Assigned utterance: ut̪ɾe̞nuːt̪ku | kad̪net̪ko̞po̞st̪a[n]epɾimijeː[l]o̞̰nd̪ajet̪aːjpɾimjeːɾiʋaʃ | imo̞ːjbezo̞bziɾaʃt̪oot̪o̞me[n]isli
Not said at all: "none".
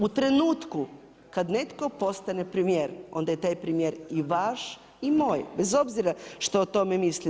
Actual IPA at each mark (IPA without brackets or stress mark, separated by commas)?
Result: n, ɾ, m